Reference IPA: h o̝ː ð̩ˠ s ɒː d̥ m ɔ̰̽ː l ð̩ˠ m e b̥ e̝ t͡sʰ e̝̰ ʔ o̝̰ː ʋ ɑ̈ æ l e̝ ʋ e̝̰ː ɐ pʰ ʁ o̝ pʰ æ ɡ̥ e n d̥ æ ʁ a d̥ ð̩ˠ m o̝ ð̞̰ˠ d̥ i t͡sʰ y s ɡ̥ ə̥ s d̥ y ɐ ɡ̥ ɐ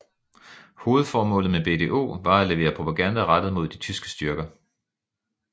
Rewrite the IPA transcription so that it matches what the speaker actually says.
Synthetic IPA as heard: h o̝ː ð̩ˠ f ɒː m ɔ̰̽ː l ð̩ˠ m e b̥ e̝ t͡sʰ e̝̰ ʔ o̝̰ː ʋ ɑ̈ æ l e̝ ʋ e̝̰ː ɐ pʰ ʁ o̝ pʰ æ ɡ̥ æ n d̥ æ ʁ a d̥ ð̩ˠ m o̝ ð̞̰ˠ d̥ i t͡sʰ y s ɡ̥ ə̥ s d̥ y ɐ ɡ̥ ɐ